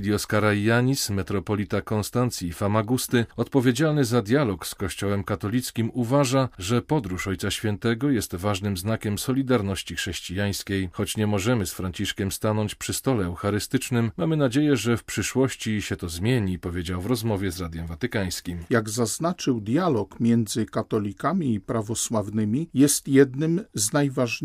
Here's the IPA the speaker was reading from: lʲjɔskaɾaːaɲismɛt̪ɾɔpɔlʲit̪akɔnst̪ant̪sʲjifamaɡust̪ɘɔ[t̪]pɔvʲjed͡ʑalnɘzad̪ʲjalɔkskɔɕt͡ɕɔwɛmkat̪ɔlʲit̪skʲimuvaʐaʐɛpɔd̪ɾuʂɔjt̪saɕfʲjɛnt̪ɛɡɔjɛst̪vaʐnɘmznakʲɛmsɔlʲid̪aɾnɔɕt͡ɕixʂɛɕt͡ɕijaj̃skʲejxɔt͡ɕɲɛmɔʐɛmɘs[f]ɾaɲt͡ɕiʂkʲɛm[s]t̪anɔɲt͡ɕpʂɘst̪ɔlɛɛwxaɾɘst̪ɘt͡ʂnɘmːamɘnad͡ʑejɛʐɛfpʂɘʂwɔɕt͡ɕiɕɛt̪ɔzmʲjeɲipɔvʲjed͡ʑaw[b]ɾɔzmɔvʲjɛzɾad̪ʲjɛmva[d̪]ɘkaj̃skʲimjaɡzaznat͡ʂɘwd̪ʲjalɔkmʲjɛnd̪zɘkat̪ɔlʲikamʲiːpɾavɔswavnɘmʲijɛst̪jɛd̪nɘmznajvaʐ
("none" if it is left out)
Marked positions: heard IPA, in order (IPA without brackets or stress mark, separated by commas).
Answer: t̪, f, s, v, t̪